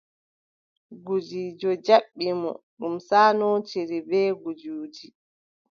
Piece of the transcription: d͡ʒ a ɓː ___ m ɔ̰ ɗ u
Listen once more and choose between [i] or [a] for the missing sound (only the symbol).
i